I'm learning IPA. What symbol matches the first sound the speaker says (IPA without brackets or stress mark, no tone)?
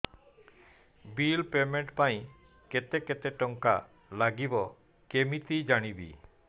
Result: b